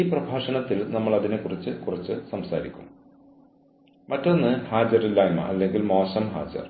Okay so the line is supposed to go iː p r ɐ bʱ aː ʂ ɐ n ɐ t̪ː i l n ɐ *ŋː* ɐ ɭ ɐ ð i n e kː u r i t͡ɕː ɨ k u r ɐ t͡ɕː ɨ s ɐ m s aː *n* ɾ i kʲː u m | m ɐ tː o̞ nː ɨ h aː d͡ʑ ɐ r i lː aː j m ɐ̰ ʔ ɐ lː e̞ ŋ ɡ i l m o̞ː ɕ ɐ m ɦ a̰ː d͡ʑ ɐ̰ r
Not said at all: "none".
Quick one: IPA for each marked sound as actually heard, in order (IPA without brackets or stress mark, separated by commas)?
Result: mː, none